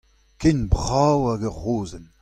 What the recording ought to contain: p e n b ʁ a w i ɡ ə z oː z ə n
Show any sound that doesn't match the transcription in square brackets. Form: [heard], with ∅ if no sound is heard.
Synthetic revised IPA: [k] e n b ʁ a w [a] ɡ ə [ʁ] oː z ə n